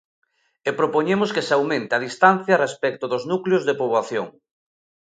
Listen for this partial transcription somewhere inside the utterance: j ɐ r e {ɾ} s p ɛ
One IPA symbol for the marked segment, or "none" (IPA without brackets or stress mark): none